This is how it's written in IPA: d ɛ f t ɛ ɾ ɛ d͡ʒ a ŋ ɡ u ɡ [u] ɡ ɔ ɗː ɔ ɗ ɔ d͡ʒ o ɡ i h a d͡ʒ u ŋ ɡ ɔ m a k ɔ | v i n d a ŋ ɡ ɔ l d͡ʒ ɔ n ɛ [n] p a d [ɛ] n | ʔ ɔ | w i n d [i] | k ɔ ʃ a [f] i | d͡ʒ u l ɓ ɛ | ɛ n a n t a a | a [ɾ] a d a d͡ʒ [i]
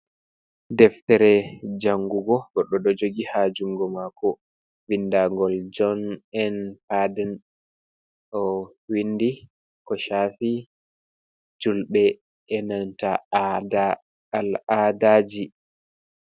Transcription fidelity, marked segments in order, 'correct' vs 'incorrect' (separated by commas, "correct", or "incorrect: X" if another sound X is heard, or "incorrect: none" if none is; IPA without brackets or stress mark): incorrect: ɔ, correct, correct, correct, correct, incorrect: l, correct